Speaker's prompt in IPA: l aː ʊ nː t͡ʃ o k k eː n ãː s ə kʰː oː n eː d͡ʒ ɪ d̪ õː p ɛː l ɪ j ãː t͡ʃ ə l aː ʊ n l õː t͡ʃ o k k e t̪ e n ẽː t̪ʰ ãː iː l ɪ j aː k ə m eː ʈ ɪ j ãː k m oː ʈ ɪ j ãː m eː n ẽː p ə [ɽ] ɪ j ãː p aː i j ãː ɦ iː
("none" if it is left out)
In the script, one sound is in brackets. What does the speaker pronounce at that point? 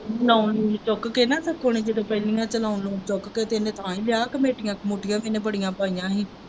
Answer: ɽ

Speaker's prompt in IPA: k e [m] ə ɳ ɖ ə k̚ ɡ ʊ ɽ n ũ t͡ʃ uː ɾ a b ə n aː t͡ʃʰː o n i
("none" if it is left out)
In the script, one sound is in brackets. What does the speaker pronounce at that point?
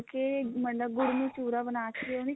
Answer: m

